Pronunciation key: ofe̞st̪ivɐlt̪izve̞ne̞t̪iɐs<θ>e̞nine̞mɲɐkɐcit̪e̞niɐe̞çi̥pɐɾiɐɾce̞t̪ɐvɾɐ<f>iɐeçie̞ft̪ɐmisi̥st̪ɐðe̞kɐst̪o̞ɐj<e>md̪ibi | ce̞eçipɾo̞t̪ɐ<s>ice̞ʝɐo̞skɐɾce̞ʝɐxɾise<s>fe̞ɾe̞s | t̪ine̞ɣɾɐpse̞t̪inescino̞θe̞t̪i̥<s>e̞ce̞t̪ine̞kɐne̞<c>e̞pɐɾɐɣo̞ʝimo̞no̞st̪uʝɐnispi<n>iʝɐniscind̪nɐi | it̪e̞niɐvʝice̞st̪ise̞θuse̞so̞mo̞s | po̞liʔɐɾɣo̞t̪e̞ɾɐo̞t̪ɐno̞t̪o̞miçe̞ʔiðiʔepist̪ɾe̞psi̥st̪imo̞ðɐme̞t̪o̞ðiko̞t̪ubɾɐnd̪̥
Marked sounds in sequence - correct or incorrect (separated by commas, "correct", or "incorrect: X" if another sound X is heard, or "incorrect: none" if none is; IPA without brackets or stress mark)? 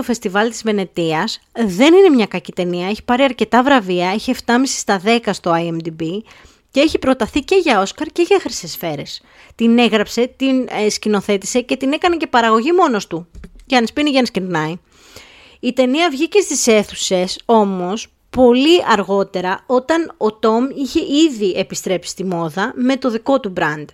incorrect: ð, incorrect: v, correct, incorrect: θ, correct, correct, correct, correct